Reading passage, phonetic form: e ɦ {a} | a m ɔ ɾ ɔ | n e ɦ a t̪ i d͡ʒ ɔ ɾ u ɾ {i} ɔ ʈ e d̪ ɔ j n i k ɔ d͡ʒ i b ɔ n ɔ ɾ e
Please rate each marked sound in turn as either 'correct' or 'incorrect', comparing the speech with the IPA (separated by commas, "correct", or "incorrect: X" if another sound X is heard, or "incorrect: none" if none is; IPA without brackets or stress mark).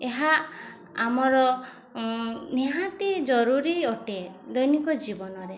correct, correct